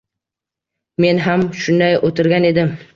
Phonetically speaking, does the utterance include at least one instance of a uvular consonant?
no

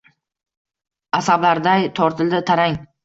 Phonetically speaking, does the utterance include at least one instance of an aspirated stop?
yes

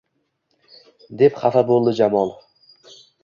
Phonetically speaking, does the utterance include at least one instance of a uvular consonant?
yes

